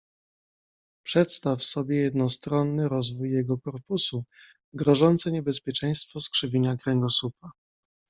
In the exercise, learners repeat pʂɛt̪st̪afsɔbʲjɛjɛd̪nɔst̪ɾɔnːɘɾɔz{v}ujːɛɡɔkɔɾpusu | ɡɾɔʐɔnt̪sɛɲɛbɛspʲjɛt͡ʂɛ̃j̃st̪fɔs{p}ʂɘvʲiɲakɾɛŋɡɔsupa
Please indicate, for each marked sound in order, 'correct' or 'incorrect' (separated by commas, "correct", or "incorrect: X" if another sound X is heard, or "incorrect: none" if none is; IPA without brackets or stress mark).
correct, incorrect: k